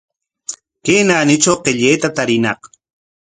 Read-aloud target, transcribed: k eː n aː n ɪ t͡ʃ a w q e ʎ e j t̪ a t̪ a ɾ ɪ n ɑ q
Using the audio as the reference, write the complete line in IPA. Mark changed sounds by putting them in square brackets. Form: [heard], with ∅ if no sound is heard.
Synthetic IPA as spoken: k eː n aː n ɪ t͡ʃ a w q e ʎ e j t̪ a t̪ a ɾ ɪ n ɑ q